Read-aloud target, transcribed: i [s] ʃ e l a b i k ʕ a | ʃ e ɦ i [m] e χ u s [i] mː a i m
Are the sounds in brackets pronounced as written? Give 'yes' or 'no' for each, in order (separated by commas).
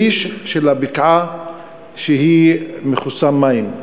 no, yes, no